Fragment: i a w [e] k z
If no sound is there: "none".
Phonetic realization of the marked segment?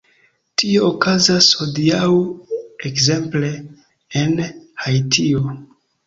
e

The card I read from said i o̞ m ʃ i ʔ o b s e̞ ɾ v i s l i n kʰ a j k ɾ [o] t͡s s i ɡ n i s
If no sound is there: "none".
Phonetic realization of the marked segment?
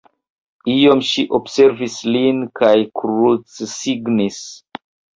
u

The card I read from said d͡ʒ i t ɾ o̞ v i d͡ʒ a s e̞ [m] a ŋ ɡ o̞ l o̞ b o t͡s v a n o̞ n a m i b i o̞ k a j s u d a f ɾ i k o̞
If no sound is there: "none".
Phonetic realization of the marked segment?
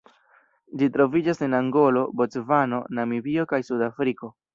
n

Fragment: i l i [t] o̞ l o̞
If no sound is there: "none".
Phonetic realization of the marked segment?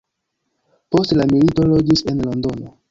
t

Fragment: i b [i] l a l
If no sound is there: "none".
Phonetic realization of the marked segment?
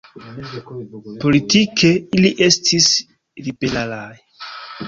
e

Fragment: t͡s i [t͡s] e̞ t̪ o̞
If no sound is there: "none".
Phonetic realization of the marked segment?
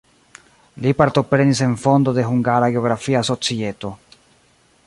none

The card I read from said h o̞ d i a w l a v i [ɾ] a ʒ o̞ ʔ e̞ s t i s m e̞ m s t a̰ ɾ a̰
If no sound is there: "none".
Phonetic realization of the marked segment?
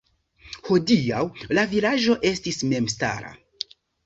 l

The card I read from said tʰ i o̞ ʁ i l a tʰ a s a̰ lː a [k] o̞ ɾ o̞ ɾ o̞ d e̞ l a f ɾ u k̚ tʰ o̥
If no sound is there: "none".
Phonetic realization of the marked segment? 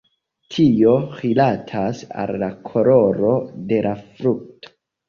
kʰ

